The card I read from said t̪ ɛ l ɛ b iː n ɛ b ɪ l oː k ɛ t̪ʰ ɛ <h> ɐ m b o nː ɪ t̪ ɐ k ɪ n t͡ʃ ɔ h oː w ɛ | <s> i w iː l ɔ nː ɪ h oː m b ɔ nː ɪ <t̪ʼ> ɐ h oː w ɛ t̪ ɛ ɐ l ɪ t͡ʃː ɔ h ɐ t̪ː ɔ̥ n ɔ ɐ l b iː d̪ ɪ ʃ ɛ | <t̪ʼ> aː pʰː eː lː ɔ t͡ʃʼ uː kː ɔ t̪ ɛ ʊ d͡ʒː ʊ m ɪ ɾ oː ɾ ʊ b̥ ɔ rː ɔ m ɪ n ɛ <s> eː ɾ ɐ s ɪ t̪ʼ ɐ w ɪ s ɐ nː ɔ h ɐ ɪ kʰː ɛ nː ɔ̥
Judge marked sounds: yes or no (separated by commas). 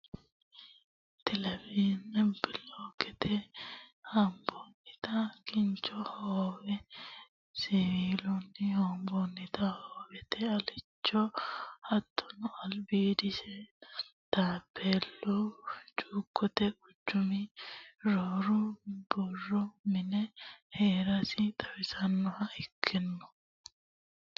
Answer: yes, yes, no, no, no